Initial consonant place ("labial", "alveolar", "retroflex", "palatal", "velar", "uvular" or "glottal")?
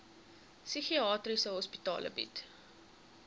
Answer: alveolar